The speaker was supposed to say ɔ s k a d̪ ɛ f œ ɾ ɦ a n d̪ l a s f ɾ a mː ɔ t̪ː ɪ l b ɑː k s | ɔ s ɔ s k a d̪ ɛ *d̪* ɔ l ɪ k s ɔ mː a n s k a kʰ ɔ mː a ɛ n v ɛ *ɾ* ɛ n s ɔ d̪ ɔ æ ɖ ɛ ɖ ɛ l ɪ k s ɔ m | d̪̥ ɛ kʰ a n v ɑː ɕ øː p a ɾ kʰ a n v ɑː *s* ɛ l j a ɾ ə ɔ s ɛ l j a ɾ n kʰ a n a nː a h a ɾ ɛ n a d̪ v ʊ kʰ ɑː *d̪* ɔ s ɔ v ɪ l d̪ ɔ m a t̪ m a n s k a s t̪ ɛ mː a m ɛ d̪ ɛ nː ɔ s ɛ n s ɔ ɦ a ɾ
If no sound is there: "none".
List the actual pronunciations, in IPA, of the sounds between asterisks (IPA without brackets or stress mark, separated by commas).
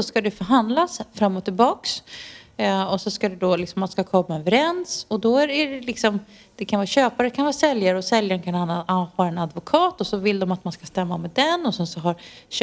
d̪, ɾ, s, t̪